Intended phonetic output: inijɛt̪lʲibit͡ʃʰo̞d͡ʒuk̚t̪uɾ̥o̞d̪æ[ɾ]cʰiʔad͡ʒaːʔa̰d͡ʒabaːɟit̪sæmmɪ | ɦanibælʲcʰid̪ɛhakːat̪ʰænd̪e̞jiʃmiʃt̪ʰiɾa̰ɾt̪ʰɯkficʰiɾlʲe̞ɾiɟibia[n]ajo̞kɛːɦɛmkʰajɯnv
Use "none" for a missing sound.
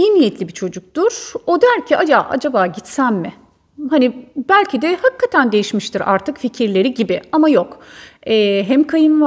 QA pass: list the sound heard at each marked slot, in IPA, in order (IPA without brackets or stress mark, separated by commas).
ɾ, m